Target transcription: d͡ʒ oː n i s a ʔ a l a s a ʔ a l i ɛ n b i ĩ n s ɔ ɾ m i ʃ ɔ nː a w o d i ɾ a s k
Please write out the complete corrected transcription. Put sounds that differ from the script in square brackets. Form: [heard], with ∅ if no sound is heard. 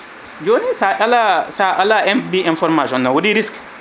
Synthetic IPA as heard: d͡ʒ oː n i s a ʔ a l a s a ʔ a l [a] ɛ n b i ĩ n [f] ɔ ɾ m [a] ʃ ɔ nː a w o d i ɾ [i] s k